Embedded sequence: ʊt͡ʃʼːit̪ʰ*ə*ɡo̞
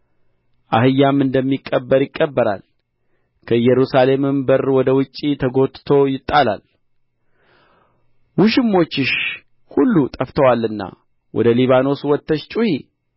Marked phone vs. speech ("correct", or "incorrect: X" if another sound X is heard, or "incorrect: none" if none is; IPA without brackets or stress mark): correct